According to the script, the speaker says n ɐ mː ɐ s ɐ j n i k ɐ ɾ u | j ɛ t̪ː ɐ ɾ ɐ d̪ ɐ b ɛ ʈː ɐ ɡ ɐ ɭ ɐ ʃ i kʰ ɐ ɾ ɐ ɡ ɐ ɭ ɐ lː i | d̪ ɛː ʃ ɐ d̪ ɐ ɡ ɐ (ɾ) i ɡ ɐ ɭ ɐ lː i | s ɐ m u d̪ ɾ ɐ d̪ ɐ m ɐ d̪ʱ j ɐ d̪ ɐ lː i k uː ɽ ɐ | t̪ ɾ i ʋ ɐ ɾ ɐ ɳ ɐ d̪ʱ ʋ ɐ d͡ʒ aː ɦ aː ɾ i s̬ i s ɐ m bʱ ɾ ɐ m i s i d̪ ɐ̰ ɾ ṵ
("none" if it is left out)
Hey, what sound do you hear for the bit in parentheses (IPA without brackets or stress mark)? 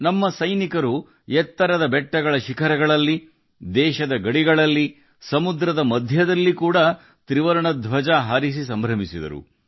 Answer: ɽ